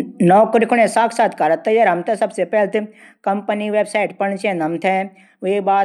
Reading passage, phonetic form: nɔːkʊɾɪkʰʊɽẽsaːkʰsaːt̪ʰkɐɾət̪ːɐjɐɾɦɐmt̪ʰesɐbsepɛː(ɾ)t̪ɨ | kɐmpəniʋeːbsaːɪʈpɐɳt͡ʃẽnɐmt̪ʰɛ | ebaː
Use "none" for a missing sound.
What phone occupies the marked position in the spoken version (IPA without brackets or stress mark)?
l